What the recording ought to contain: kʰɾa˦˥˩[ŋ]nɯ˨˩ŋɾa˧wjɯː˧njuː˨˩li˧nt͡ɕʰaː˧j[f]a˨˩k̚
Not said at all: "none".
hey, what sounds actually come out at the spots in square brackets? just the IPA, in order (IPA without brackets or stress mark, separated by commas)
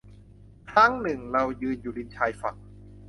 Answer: ŋ, f